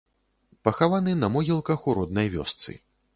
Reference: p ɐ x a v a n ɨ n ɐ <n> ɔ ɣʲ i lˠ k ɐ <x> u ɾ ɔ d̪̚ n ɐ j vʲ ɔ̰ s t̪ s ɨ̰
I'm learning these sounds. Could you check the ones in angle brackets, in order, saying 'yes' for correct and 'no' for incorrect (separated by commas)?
no, yes